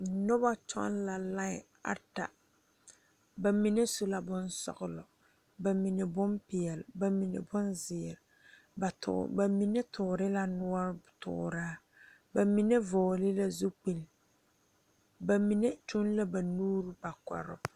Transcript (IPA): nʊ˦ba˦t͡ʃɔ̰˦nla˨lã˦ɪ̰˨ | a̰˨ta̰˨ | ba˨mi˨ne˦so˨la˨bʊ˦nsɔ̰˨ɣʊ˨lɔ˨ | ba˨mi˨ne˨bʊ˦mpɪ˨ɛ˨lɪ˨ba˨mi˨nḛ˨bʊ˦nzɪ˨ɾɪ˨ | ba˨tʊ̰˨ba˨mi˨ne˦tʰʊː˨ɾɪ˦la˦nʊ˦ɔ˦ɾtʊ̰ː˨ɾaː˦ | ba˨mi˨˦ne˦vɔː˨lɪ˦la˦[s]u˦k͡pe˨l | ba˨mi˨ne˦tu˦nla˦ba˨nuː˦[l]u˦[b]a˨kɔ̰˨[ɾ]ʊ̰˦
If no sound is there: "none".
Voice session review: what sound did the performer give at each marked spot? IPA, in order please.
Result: z, ɾ, b, ɾ

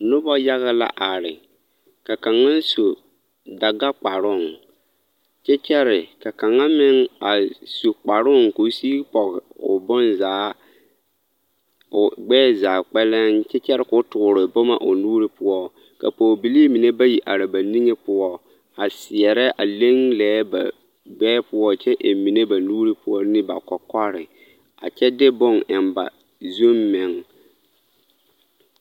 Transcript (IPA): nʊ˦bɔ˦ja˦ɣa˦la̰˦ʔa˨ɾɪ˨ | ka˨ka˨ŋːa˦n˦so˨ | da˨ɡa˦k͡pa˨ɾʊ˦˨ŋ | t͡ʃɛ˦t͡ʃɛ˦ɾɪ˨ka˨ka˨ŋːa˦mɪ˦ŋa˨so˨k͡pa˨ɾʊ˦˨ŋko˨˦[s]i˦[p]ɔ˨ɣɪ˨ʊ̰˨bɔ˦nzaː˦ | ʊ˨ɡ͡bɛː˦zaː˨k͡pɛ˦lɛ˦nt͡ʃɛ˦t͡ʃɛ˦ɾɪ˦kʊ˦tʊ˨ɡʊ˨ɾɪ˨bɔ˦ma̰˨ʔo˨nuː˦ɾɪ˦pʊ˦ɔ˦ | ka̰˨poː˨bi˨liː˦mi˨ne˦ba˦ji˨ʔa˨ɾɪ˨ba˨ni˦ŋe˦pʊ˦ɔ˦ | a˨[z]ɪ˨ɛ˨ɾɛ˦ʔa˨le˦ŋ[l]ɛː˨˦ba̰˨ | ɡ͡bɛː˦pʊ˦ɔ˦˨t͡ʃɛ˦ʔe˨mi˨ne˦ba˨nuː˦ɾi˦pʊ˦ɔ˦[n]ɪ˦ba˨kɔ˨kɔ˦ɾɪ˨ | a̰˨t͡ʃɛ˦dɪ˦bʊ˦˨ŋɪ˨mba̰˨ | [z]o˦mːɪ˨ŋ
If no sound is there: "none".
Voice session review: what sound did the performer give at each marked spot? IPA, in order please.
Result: s, p, s, l, n, z

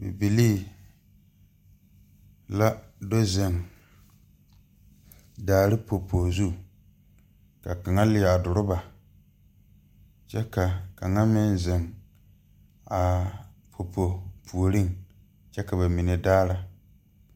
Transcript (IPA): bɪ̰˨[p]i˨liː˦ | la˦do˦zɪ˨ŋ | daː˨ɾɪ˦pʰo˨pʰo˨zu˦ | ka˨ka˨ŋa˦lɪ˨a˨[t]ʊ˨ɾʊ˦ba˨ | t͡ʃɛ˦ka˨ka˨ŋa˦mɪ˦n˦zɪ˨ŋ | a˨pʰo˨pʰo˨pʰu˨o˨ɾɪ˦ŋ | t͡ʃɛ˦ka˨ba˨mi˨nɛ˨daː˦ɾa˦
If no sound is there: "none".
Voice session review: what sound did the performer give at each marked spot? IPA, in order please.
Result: b, d

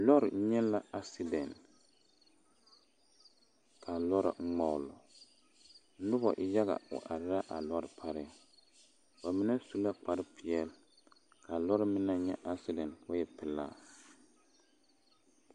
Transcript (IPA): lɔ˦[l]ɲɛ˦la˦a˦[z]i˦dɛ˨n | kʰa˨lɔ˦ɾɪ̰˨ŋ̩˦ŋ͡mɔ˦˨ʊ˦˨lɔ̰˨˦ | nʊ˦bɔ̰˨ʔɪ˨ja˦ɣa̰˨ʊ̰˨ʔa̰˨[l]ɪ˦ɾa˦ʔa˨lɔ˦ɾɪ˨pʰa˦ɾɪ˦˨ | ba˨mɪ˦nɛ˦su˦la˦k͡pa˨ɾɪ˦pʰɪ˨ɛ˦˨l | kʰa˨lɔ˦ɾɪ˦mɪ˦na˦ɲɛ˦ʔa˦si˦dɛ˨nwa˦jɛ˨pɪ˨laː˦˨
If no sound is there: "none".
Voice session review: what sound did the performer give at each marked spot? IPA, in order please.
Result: ɾ, s, ɾ

